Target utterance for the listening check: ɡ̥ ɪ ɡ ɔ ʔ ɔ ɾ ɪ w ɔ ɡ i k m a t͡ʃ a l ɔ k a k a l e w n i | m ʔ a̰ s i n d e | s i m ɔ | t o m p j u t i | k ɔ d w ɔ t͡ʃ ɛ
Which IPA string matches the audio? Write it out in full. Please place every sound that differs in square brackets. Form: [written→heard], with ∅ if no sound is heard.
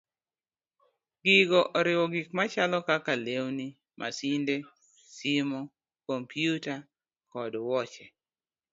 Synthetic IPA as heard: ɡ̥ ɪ ɡ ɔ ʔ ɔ ɾ ɪ w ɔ ɡ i k m a t͡ʃ a l ɔ k a k a l e w n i | m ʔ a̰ s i n d e | s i m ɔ | [t→k] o m p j u t [i→a] | k ɔ d w ɔ t͡ʃ ɛ